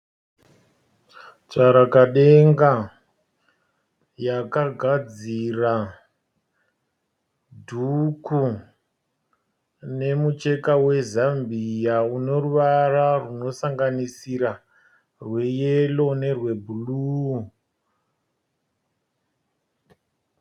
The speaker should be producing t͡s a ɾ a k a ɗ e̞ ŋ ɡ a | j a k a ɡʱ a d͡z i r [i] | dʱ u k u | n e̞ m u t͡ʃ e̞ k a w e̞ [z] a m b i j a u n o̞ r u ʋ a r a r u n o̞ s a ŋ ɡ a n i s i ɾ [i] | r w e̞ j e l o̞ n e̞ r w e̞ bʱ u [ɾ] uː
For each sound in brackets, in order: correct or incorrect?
incorrect: a, correct, incorrect: a, incorrect: l

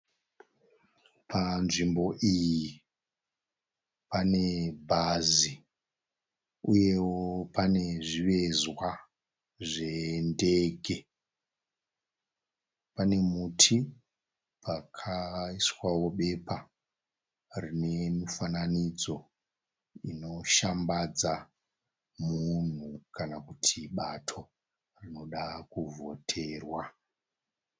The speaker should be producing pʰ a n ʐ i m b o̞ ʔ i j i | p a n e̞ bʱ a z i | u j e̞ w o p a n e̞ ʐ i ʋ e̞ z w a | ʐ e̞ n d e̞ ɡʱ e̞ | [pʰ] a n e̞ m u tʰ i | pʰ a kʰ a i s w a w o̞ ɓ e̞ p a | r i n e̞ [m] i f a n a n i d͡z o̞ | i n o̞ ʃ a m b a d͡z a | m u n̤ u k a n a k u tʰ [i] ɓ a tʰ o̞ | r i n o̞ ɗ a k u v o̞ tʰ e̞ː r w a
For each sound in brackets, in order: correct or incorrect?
incorrect: p, correct, correct

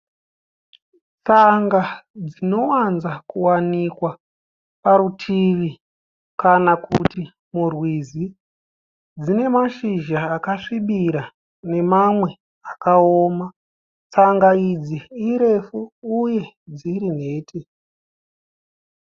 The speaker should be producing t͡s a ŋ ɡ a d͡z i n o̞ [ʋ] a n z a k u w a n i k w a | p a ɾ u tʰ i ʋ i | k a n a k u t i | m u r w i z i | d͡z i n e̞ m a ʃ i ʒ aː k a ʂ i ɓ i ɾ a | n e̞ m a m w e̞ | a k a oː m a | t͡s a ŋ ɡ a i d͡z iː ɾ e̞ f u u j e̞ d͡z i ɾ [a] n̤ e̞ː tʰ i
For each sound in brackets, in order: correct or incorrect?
incorrect: w, incorrect: i

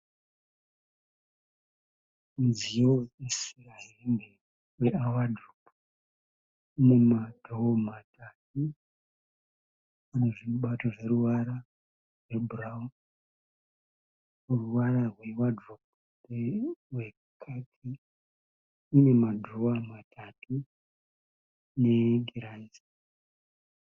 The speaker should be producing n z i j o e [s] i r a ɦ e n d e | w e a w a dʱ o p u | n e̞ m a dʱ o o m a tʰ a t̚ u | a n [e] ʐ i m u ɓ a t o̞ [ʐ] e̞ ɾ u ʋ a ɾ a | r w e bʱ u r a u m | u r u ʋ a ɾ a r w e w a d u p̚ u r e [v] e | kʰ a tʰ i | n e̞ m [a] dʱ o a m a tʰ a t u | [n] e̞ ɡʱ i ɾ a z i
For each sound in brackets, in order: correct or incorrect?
correct, correct, correct, incorrect: w, correct, correct

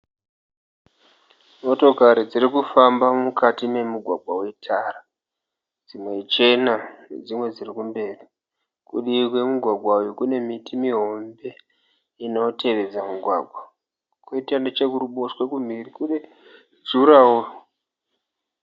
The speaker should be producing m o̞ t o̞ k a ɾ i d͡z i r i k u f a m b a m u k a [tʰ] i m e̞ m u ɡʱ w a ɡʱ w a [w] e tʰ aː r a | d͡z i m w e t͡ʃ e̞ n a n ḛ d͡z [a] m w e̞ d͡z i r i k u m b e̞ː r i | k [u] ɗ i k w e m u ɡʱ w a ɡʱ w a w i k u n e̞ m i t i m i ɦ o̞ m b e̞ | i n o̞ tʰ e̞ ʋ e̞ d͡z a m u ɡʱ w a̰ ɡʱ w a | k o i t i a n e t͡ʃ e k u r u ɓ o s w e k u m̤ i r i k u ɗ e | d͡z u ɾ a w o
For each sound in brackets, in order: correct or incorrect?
incorrect: t, correct, incorrect: i, correct

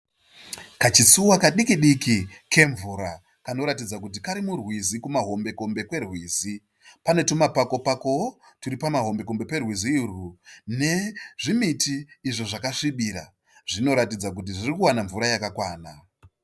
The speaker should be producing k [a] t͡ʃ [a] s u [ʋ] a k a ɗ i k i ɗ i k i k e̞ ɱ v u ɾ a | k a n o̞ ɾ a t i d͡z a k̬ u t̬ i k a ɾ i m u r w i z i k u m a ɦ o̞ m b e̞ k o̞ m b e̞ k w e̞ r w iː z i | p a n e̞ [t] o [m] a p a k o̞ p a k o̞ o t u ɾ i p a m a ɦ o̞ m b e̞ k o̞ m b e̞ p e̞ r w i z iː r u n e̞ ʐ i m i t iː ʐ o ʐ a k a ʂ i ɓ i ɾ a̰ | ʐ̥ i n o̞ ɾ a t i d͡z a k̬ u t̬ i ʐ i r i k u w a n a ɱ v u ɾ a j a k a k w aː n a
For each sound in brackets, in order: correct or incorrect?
correct, incorrect: i, incorrect: w, correct, correct

